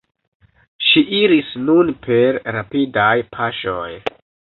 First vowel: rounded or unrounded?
unrounded